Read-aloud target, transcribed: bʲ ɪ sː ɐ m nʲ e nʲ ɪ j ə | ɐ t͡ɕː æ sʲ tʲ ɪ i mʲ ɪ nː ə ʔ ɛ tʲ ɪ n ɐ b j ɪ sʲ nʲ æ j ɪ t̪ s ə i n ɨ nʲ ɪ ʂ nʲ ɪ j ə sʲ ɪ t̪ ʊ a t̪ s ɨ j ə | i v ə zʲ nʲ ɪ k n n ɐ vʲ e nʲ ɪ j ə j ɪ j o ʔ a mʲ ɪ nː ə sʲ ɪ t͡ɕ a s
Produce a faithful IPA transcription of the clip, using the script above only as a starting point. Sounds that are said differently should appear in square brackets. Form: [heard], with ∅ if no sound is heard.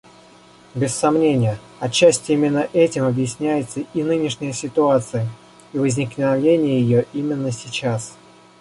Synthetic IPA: bʲ ɪ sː ɐ m nʲ e nʲ ɪ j ə | ɐ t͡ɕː æ sʲ tʲ ɪ i mʲ ɪ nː ə ʔ ɛ tʲ ɪ [m] ɐ b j ɪ sʲ nʲ æ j ɪ t̪ s ə i n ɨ nʲ ɪ ʂ nʲ ɪ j ə sʲ ɪ t̪ ʊ a t̪ s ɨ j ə | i v ə zʲ nʲ ɪ k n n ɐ vʲ e nʲ ɪ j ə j ɪ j o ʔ [i] mʲ ɪ nː ə sʲ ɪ t͡ɕ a s

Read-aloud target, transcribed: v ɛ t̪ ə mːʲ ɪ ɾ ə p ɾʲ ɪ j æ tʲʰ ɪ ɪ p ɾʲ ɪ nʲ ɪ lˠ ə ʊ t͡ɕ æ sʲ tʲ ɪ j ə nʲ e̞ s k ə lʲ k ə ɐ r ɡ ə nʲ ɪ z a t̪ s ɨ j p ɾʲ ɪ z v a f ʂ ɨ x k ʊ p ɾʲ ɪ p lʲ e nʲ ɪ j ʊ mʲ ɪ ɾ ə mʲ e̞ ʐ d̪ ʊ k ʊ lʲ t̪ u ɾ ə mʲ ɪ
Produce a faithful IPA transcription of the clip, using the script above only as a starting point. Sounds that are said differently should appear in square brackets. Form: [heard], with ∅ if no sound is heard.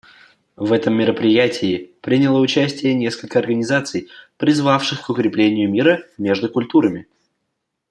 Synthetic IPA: v ɛ t̪ ə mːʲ ɪ ɾ ə p ɾʲ ɪ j æ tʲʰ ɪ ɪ p ɾʲ ɪ nʲ ɪ lˠ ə ʊ t͡ɕ æ sʲ tʲ ɪ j ə nʲ e̞ s k ə lʲ k ə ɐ r ɡ ə nʲ ɪ z a t̪ s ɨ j p ɾʲ ɪ z v a f ʂ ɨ x k ʊ [k] ɾʲ ɪ p lʲ e nʲ ɪ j ʊ mʲ [i] ɾ ə mʲ e̞ ʐ d̪ ʊ k ʊ lʲ t̪ u ɾ ə mʲ ɪ

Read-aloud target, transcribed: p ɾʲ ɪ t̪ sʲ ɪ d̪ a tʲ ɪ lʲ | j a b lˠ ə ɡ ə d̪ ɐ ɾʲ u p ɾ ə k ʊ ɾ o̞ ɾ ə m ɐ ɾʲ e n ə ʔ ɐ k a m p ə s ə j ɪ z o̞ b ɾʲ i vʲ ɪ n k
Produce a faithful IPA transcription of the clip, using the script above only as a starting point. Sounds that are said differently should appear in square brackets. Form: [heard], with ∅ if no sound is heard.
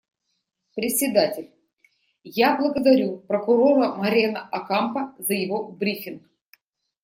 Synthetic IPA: p ɾʲ ɪ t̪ sʲ ɪ d̪ a tʲ ɪ lʲ | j a b lˠ ə ɡ ə d̪ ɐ ɾʲ u p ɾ ə k ʊ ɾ o̞ ɾ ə m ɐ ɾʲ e n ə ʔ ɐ k a m p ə [z] ə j ɪ [v] o̞ b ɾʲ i [fʲ] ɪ n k

